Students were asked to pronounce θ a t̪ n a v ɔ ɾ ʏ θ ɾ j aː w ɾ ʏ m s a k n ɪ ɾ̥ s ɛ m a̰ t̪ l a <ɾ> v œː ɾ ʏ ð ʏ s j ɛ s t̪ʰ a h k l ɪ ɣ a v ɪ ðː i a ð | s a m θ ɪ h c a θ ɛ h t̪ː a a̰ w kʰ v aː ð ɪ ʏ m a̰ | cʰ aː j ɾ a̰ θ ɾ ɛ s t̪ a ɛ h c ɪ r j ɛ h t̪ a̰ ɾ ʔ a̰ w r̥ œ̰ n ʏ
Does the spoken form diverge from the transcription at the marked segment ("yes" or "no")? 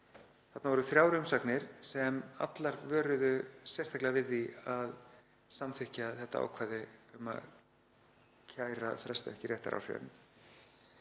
no